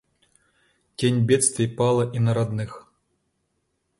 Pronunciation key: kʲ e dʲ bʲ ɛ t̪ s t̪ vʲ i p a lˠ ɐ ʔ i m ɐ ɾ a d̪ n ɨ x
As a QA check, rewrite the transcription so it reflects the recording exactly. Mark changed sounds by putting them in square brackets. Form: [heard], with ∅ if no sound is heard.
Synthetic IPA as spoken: kʲ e [nʲ] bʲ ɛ t̪ s t̪ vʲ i p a lˠ ɐ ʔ i [n] ɐ ɾ a d̪ n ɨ x